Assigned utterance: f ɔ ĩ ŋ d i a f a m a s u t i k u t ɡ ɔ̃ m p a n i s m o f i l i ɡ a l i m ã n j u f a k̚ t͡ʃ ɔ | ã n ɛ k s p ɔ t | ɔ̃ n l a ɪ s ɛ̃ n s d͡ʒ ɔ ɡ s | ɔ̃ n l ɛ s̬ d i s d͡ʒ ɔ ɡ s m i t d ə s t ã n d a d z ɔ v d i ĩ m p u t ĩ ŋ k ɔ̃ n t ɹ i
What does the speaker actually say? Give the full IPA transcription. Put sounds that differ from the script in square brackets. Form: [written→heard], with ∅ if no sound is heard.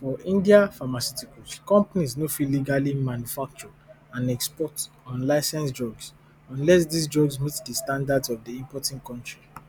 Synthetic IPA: f ɔ ĩ [ŋ→n] d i a f a m a s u t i k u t [ɡ→k] ɔ̃ m p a n i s [m→n] o f i l i ɡ a l i m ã n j u f a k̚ t͡ʃ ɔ | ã n ɛ k s p ɔ t | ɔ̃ n l a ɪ s ɛ̃ n s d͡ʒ ɔ ɡ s | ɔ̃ n l ɛ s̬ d i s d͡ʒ ɔ ɡ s m i t d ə s t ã n d a d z ɔ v d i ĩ m p [u→ɔ] t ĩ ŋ k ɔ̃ n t ɹ i

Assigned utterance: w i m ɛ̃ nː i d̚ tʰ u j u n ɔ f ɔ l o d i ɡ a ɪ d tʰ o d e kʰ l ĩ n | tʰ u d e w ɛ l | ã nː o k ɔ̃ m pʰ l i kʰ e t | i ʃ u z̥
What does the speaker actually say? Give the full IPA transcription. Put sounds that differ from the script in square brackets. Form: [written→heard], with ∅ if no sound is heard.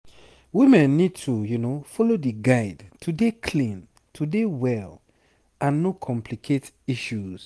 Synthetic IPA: w i m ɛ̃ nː i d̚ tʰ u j u n [ɔ→o] f ɔ l o d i ɡ a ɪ d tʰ [o→u] d e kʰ l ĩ n | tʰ u d e w ɛ l | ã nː o [k→kʰ] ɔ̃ m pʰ l i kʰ e t | i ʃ u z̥

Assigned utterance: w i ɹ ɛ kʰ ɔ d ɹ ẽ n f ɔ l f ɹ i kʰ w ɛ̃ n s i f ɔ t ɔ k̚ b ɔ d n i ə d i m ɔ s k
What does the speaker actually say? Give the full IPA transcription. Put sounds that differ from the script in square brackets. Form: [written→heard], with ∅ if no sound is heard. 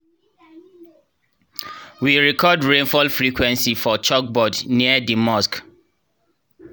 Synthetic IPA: w i ɹ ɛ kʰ ɔ d ɹ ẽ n f ɔ l f ɹ i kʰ w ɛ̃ n s i f ɔ [t→t͡ʃ] ɔ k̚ b ɔ d n i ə d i m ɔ s k

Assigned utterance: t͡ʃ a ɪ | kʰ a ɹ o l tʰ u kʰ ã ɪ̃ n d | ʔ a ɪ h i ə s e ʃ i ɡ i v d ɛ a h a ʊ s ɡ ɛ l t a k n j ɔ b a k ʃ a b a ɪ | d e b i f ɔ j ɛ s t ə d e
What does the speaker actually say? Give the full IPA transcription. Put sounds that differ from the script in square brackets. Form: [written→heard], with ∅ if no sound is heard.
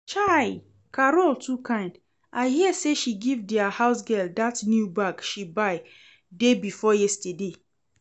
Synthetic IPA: t͡ʃ a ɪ | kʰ a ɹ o l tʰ u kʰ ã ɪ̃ n d | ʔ a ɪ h i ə s e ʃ i ɡ i v d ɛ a h a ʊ s ɡ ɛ l [t→d] a [k→t] n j [ɔ→u] b a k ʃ [a→i] b a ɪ | d e b i f ɔ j ɛ s t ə d e

